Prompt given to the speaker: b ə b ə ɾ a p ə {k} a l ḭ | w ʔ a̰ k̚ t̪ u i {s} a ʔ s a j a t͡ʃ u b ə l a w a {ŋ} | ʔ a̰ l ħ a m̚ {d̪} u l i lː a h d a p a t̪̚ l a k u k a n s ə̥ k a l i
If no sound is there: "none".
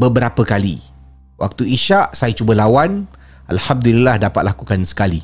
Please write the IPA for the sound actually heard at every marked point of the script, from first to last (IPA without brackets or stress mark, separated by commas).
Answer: k, ʃ, n, d̪